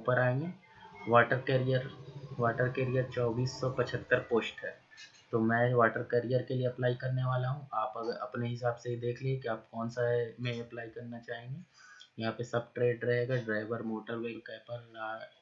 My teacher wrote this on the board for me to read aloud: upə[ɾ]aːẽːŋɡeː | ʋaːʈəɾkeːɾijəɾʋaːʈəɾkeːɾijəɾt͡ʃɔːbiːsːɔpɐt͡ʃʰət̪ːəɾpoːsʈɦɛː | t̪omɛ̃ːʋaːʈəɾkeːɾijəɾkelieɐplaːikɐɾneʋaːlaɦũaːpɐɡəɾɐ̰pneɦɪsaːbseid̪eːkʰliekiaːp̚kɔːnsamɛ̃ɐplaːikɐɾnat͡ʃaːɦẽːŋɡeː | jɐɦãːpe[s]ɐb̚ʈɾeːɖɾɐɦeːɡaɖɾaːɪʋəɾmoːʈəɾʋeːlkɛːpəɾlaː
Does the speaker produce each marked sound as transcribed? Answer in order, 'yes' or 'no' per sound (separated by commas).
yes, yes